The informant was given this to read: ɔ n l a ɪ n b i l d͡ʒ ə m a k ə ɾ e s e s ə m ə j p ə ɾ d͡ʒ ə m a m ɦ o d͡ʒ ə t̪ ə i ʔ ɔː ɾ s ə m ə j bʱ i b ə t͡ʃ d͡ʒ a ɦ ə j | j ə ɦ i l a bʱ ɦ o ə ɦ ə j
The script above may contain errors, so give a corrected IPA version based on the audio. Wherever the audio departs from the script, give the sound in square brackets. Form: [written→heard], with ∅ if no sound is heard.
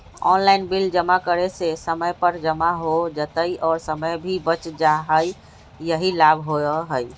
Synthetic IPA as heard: ɔ n l a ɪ n b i l d͡ʒ ə m a k ə ɾ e s e s ə m ə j p ə ɾ d͡ʒ ə m a [m→∅] ɦ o d͡ʒ ə t̪ ə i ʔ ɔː ɾ s ə m ə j bʱ i b ə t͡ʃ d͡ʒ a ɦ ə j | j ə ɦ i l a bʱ ɦ o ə ɦ ə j